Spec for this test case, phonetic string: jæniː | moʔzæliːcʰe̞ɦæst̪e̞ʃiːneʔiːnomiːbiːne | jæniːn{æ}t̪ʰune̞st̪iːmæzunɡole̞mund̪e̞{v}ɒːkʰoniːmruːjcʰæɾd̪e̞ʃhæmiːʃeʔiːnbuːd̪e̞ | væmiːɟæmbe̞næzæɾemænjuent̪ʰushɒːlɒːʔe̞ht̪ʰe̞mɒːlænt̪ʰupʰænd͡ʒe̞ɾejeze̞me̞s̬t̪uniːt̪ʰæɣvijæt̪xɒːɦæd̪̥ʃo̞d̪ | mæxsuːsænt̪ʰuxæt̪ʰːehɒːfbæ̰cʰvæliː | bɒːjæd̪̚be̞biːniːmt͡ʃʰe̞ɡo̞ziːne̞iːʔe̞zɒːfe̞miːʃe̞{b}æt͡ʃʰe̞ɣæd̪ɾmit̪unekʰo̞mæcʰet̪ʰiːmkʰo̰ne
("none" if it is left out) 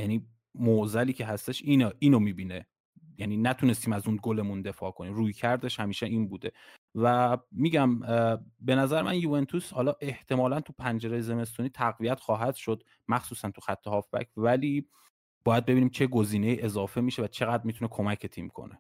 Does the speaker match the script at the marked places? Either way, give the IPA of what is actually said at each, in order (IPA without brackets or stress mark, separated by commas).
æ, f, v